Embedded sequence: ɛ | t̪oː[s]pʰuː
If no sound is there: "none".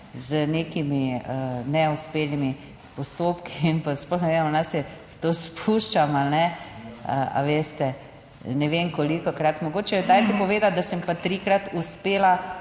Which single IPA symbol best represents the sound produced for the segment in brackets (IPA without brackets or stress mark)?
s